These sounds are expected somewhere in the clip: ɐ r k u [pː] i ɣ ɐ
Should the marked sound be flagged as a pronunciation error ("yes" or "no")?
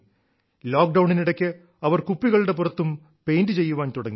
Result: no